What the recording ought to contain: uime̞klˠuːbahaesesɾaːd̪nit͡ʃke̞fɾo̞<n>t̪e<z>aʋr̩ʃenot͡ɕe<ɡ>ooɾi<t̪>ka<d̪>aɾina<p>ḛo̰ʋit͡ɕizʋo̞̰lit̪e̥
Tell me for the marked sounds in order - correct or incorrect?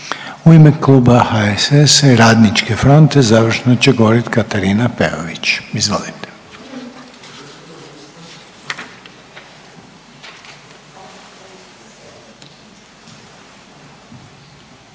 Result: correct, correct, correct, correct, incorrect: t̪, correct

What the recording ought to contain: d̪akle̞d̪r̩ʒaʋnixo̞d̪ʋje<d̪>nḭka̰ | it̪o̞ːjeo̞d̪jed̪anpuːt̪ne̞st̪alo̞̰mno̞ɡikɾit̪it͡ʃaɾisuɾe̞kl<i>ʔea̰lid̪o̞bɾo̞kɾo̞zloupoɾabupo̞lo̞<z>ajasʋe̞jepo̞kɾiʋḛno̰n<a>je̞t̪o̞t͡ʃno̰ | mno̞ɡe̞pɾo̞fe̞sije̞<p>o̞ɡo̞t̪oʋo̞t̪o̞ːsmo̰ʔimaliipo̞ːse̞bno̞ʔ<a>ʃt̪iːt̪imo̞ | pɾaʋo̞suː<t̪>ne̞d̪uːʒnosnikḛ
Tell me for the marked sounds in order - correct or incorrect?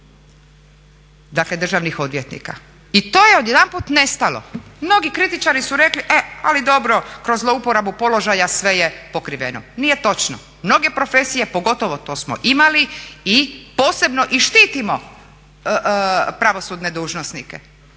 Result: incorrect: t̪, correct, incorrect: ʒ, incorrect: i, correct, incorrect: i, incorrect: d̪

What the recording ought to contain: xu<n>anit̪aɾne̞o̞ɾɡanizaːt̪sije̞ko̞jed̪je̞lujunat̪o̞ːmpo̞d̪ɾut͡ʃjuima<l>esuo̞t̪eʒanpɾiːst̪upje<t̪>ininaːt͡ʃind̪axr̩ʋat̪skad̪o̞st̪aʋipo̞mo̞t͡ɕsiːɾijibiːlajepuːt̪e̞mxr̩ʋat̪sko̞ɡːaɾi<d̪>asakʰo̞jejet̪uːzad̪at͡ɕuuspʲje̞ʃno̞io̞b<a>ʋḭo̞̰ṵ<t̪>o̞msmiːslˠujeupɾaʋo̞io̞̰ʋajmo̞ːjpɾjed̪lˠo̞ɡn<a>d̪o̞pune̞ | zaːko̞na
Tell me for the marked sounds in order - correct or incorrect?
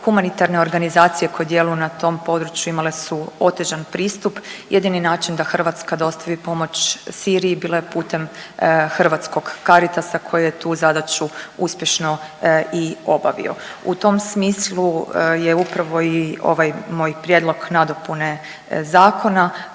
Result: incorrect: m, correct, incorrect: d̪, incorrect: t̪, correct, correct, correct

